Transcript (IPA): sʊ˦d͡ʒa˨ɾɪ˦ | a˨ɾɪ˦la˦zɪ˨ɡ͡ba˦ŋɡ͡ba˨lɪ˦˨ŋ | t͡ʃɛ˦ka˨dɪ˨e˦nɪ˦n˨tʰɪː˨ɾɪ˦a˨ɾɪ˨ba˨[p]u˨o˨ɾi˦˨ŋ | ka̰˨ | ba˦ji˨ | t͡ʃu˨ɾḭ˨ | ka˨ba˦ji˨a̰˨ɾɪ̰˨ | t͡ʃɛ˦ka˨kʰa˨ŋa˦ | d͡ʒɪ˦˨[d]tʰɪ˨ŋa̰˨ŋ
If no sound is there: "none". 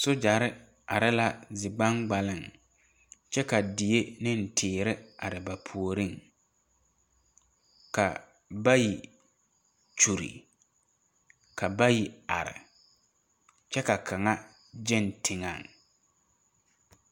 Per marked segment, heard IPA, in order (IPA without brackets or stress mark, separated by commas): pʰ, n